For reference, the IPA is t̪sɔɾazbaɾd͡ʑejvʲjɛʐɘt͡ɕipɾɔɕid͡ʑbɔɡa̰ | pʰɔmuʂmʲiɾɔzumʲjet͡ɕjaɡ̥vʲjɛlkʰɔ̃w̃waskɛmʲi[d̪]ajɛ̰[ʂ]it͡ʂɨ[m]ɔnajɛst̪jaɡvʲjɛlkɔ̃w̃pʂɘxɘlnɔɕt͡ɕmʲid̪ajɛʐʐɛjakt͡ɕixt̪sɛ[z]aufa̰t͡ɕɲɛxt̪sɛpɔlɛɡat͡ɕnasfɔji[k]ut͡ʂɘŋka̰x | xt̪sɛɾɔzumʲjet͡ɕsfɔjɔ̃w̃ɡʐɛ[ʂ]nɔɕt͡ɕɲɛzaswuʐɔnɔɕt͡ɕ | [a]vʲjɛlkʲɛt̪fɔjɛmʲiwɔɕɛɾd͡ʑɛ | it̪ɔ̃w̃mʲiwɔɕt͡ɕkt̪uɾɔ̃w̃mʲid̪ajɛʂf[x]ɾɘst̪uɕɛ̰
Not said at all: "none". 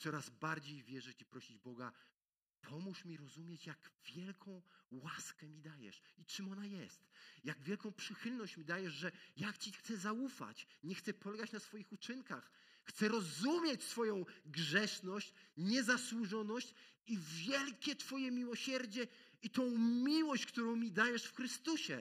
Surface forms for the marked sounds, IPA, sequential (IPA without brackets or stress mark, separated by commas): d̪, ʂ, m, z, x, ʂ, i, x